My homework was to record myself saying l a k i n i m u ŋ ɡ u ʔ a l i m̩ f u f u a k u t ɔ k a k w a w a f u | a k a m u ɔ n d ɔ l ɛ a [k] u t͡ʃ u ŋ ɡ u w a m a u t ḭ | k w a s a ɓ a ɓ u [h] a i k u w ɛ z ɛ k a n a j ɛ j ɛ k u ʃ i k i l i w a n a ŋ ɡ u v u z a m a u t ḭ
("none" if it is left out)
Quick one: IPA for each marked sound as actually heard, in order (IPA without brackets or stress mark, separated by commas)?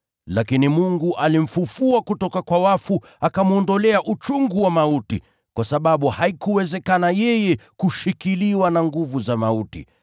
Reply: ʔ, h